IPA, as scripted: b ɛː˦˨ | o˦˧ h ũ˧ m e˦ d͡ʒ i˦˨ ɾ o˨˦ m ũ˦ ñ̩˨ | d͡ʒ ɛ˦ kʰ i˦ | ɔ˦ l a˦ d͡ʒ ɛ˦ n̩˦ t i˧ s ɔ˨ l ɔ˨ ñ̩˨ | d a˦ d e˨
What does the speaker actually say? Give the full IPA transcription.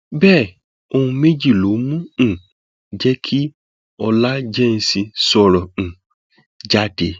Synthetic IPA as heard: b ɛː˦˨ | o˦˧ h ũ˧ m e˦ d͡ʒ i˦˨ l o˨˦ m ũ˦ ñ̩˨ | d͡ʒ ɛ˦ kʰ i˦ | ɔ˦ l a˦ d͡ʒ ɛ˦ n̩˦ s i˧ s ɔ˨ ɾ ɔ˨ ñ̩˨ | d͡ʒ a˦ d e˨